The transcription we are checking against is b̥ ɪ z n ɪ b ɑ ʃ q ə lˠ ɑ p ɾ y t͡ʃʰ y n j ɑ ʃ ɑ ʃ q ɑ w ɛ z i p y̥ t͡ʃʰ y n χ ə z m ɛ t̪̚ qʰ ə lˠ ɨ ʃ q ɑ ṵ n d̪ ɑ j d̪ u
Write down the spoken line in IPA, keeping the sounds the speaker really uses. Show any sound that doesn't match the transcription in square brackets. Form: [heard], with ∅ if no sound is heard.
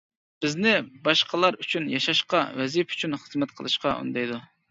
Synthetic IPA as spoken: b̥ ɪ z n ɪ b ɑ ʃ q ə lˠ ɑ [∅] ɾ y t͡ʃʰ y n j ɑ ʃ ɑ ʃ q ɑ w ɛ z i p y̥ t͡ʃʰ y n χ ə z m ɛ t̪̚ qʰ ə lˠ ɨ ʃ q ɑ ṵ n d̪ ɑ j d̪ u

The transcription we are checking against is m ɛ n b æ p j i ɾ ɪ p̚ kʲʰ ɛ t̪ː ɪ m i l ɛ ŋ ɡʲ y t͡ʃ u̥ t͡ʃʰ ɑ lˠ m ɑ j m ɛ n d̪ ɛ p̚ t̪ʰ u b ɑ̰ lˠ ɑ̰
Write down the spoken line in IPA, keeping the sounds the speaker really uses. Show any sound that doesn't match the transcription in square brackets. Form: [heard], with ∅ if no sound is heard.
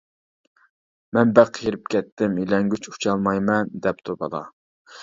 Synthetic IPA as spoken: m ɛ n b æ [q] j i ɾ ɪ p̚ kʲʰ ɛ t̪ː ɪ m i l ɛ ŋ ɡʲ y t͡ʃ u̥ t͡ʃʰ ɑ lˠ m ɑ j m ɛ n d̪ ɛ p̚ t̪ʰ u b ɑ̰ lˠ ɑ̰

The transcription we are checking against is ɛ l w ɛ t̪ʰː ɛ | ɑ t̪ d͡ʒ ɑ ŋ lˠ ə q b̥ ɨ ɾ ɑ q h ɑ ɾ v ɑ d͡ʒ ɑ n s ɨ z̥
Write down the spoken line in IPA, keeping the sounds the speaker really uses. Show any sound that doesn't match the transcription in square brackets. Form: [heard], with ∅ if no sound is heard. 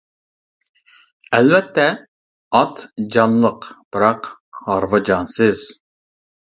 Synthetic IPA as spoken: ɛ l [v] ɛ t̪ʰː ɛ | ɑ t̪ d͡ʒ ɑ [n] lˠ ə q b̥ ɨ ɾ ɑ q h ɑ ɾ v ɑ d͡ʒ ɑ n s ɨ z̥

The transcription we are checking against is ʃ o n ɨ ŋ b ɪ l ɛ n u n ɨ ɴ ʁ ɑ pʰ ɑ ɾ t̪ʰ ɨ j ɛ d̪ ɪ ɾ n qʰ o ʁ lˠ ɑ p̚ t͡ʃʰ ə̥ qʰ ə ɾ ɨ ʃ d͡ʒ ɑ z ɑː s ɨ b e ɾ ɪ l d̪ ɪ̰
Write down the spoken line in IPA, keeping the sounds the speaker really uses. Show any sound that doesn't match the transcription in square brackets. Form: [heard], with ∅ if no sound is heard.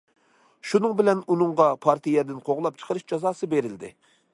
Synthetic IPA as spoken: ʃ [u] n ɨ ŋ b ɪ l ɛ n u n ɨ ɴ ʁ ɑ pʰ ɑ ɾ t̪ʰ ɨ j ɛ d̪ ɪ [∅] n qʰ o ʁ lˠ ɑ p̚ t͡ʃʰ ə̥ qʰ ə ɾ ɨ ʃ d͡ʒ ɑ z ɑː s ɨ b e ɾ ɪ l d̪ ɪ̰

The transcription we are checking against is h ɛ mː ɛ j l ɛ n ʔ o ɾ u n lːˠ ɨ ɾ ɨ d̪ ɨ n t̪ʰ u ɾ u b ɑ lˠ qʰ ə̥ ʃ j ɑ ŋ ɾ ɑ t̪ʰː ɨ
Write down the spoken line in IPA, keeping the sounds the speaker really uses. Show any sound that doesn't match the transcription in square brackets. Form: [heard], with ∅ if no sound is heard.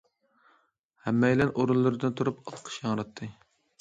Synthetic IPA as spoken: h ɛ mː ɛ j l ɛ n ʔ o ɾ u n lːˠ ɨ ɾ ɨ d̪ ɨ n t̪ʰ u ɾ u [p] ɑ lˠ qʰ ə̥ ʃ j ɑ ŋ ɾ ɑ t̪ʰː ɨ

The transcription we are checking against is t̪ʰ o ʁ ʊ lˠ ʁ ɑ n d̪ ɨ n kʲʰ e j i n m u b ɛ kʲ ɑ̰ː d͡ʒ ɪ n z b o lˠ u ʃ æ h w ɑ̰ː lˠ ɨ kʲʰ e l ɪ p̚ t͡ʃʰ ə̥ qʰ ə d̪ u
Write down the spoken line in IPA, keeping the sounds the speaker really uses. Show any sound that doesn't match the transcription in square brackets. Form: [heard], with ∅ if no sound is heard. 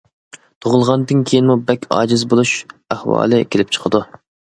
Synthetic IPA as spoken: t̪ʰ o ʁ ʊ lˠ ʁ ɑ n d̪ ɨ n kʲʰ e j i n m u b ɛ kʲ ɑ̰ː d͡ʒ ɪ [∅] z b o lˠ u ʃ æ h w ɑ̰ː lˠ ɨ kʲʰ e l ɪ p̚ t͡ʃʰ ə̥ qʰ ə d̪ u

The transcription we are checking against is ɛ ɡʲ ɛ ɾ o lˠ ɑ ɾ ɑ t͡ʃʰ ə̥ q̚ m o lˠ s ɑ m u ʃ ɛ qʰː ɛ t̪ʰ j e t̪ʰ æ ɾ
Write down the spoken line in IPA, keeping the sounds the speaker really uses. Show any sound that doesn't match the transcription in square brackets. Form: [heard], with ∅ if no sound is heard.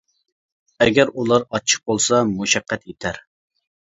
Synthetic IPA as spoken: ɛ ɡʲ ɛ ɾ [u] lˠ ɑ ɾ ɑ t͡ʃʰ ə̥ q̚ [b] o lˠ s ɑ m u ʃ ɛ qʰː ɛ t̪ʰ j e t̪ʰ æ ɾ

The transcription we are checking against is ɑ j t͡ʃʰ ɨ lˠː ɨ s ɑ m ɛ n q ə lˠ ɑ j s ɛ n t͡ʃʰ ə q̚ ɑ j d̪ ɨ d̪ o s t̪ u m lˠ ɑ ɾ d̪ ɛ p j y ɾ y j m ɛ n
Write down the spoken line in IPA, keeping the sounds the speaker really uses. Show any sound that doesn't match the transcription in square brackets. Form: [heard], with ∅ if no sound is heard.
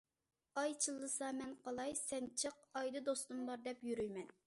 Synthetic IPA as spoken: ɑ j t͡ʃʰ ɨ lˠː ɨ s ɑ m ɛ n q [ɑ] lˠ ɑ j s ɛ n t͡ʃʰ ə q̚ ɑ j d̪ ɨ d̪ o s t̪ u m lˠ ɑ ɾ d̪ ɛ p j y ɾ y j m ɛ n

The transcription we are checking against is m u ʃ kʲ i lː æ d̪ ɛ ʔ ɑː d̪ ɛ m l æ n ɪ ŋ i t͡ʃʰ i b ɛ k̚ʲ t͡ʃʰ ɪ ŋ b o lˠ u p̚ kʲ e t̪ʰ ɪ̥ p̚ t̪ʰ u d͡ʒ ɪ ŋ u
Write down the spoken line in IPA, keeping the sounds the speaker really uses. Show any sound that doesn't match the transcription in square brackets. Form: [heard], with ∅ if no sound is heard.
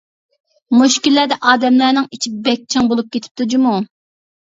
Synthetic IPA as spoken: m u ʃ kʲ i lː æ d̪ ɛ ʔ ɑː d̪ ɛ m l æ n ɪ ŋ i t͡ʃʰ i b ɛ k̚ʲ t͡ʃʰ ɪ ŋ b o lˠ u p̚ kʲ e t̪ʰ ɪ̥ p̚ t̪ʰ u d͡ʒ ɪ [m] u

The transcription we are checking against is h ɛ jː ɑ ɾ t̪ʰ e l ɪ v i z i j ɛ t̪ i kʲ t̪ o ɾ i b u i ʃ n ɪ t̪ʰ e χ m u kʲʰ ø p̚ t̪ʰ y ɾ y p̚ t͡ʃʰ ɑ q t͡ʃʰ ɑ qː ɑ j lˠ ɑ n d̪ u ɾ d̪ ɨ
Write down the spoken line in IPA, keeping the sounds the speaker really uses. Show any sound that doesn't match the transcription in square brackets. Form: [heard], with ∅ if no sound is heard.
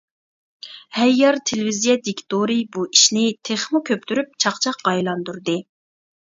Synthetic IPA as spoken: h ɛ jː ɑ ɾ t̪ʰ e l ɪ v i z i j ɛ [d̪] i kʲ t̪ o ɾ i b u i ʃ n ɪ t̪ʰ e χ m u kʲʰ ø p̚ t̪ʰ y ɾ y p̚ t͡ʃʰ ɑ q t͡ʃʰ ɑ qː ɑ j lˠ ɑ n d̪ u ɾ d̪ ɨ

